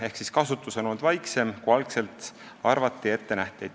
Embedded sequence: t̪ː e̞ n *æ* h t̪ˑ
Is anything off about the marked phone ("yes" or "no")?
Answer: no